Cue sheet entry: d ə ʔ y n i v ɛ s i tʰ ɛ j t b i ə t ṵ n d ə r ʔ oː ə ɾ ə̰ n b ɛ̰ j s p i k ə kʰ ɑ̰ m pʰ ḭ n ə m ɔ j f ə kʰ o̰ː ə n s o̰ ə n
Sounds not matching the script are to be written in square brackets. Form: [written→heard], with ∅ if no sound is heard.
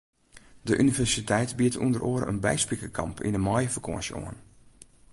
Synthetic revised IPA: d ə ʔ y n i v ɛ s i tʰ ɛ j t b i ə t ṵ n d ə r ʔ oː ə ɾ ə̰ n b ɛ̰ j s p i k ə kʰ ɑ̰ m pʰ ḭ n ə m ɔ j f ə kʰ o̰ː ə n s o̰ ə n